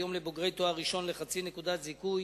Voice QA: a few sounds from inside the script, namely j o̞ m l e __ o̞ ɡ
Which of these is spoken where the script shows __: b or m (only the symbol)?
b